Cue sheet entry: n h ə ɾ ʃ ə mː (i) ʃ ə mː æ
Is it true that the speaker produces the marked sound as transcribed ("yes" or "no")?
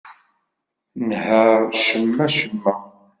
no